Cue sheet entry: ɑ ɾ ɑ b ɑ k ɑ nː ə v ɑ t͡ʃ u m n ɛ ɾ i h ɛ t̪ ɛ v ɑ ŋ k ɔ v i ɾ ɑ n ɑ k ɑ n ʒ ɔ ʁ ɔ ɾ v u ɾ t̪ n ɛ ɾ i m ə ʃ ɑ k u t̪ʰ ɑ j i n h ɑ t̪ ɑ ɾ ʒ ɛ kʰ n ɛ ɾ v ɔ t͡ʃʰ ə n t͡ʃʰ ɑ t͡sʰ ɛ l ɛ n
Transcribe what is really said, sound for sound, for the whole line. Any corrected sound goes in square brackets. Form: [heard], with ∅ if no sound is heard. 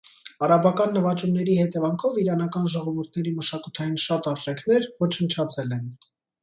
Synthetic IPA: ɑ ɾ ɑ b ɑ k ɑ nː ə v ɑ t͡ʃ u m n ɛ ɾ i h ɛ t̪ ɛ v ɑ ŋ [kʰ] ɔ v i ɾ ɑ n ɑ k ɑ n ʒ ɔ ʁ ɔ [∅] v u ɾ [t̪ʰ] n ɛ ɾ i m ə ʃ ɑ k u t̪ʰ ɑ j i n [ʃ] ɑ t̪ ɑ ɾ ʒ ɛ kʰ n ɛ ɾ v ɔ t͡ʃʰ ə n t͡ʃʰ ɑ t͡sʰ ɛ l ɛ n